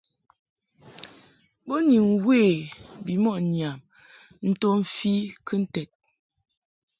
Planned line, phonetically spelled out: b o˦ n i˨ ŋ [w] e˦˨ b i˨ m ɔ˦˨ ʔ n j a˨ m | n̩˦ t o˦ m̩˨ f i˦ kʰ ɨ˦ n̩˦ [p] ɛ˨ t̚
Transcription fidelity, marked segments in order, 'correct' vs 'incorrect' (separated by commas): correct, incorrect